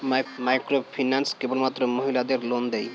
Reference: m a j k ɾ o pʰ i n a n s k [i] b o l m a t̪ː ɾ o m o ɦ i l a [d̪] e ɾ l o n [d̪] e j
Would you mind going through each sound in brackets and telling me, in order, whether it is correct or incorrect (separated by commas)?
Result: incorrect, correct, correct